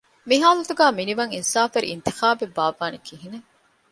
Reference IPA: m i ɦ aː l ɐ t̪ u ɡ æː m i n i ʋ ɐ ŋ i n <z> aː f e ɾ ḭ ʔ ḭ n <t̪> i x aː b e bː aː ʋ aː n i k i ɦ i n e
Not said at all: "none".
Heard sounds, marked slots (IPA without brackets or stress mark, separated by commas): s, t̪